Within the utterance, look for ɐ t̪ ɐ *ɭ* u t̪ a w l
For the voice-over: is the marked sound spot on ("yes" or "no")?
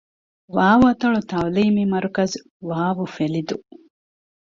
yes